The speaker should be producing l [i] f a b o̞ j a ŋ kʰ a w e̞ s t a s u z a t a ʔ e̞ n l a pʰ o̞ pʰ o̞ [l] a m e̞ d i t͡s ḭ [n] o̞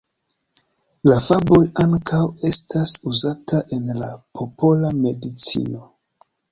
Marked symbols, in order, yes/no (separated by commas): no, yes, yes